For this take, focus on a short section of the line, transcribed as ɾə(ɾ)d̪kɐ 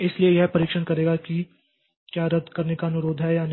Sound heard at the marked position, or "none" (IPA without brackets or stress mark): none